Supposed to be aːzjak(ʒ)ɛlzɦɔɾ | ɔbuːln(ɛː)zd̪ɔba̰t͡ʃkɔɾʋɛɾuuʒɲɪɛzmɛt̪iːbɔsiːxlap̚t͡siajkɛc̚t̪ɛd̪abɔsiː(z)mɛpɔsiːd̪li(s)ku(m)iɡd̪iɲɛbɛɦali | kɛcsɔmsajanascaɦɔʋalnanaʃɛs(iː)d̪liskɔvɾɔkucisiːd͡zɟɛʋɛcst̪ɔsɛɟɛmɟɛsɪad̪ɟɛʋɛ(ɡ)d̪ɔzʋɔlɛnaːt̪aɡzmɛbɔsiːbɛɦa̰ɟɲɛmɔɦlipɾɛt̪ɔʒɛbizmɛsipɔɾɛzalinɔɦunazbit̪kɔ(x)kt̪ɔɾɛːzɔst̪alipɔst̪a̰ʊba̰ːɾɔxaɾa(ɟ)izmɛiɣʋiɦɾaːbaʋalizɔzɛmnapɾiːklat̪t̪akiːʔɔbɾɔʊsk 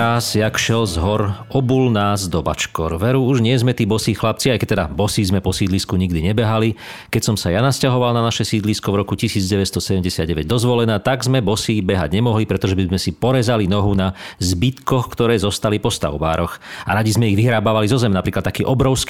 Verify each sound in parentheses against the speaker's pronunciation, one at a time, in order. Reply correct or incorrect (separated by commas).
incorrect, incorrect, correct, correct, incorrect, correct, incorrect, correct, correct